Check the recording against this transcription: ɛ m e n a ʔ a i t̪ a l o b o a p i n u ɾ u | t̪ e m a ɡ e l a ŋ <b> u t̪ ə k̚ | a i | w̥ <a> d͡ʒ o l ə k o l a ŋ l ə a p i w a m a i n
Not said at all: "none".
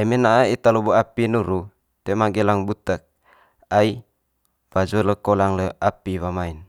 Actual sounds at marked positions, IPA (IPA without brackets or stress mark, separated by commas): b, a